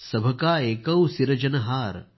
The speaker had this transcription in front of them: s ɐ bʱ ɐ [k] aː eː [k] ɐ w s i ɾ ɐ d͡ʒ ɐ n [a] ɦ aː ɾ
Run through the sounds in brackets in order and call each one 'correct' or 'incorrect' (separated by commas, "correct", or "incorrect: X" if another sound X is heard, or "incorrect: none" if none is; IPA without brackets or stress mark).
correct, correct, incorrect: ɐ